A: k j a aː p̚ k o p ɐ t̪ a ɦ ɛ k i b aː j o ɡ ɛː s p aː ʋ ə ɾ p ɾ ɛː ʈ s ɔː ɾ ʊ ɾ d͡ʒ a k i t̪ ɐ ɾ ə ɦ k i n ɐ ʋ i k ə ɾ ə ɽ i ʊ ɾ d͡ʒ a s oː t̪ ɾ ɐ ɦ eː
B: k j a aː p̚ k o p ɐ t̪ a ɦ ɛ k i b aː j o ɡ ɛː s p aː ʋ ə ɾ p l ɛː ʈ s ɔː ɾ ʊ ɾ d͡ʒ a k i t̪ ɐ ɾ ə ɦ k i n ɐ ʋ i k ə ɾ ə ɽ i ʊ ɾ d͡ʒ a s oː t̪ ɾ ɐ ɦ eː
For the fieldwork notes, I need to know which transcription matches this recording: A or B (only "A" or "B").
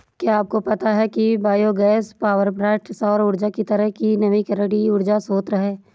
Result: A